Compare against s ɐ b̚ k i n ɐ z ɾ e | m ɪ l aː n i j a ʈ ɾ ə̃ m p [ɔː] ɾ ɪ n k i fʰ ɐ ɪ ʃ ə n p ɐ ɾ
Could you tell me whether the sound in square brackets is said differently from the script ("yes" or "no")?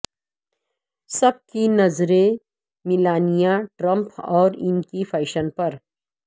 no